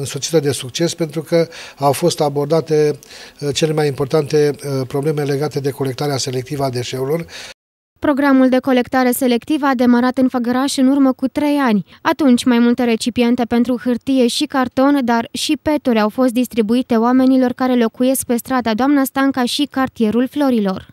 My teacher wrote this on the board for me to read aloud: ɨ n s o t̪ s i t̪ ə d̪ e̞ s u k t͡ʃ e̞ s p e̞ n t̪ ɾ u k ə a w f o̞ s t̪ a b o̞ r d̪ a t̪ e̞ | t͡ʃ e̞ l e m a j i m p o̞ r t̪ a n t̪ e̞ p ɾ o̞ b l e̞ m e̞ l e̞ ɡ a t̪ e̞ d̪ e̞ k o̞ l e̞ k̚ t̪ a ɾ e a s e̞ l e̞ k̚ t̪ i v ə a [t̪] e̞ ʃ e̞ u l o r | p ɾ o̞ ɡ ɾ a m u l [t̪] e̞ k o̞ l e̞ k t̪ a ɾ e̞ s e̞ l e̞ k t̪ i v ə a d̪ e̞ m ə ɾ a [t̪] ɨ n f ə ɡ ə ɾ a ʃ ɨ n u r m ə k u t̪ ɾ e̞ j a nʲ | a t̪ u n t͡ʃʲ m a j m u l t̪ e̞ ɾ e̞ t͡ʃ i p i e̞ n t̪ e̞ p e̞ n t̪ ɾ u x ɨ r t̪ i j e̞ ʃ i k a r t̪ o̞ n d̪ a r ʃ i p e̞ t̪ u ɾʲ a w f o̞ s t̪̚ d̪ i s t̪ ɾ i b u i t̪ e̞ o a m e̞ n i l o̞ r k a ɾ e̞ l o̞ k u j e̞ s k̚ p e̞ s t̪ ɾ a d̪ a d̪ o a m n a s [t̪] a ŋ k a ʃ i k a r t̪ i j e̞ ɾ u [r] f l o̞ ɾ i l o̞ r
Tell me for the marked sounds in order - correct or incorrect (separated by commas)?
incorrect, incorrect, correct, correct, incorrect